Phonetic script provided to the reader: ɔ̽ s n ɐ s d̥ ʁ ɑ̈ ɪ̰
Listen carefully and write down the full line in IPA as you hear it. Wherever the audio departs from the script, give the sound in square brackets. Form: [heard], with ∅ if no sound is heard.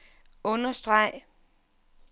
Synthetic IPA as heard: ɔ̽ [∅] n ɐ s d̥ ʁ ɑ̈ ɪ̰

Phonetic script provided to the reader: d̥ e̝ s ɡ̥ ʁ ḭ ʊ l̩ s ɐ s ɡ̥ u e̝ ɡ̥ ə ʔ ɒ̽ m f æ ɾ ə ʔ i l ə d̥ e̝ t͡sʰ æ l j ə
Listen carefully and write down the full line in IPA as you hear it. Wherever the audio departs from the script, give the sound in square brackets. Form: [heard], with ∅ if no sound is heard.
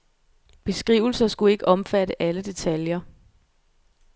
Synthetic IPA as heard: [b̥] e̝ s ɡ̥ ʁ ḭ ʊ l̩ s ɐ s ɡ̥ u e̝ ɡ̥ ə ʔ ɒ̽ m f æ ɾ ə ʔ [æ] l ə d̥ e̝ t͡sʰ æ l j [ɐ]

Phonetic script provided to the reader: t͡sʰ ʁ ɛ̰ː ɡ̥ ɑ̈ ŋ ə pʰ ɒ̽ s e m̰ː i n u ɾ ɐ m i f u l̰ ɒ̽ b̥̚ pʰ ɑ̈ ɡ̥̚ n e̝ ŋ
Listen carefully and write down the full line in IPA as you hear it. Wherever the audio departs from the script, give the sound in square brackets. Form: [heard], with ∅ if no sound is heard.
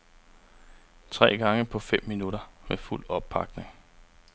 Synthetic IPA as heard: t͡sʰ ʁ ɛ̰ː ɡ̥ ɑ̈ ŋ ə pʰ ɒ̽ [f] e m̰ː i n u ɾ ɐ m [e] f u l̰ ɒ̽ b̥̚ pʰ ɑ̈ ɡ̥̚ n e̝ ŋ

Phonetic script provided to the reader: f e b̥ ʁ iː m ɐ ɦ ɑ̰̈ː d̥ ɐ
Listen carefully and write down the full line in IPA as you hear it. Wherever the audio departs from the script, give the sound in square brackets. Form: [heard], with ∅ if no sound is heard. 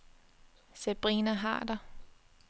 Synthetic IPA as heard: [s] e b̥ ʁ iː [n] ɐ ɦ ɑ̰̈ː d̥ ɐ

